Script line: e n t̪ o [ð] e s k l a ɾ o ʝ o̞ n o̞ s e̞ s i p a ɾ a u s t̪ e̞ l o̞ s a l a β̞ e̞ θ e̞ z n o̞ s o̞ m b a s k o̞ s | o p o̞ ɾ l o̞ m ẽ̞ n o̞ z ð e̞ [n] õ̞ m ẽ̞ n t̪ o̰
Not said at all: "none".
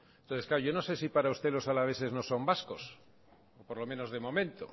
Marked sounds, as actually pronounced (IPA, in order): θ, m

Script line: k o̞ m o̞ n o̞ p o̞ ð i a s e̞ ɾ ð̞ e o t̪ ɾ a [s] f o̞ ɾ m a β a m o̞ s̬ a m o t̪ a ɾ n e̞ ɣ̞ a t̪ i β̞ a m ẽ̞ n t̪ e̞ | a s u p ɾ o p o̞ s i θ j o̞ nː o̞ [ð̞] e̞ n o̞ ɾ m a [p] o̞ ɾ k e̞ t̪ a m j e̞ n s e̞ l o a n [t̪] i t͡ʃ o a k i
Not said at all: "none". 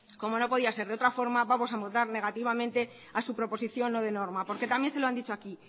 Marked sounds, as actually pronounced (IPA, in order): none, ð̞, p, d̪

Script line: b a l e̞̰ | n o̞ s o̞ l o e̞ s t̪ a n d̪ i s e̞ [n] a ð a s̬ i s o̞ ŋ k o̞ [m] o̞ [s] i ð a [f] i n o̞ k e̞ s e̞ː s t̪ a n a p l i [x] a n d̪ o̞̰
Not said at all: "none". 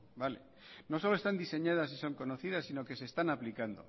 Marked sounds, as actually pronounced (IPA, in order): ɲ, n, θ, s, k

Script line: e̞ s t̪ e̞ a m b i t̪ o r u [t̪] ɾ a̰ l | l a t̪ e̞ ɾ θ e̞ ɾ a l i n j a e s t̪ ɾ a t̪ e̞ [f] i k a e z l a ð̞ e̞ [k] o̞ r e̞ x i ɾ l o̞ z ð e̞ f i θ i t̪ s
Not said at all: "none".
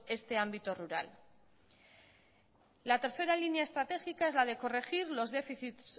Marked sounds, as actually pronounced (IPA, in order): none, x, k

